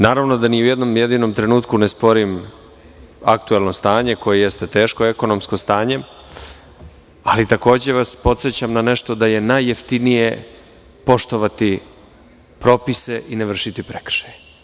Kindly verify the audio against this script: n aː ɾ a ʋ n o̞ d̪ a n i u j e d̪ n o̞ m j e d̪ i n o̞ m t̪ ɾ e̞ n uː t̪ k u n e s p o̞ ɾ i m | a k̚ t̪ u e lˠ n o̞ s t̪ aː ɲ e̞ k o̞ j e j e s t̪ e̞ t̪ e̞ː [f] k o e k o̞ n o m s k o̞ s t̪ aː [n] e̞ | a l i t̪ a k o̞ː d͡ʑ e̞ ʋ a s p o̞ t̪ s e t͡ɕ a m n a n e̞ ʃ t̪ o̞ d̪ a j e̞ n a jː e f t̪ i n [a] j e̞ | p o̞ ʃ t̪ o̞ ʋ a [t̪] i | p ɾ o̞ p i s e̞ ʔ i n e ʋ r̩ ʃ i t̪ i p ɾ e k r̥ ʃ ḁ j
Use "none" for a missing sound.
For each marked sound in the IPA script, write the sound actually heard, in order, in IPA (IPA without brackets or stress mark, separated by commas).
ʃ, ɲ, i, t̪